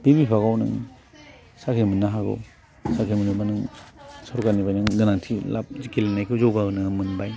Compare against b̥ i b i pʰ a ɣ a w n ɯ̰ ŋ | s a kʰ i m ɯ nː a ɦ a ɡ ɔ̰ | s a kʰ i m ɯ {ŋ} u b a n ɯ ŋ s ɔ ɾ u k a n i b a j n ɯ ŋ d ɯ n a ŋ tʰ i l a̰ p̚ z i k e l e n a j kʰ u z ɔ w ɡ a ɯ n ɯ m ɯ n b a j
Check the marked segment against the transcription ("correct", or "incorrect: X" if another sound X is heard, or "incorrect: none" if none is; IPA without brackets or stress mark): incorrect: n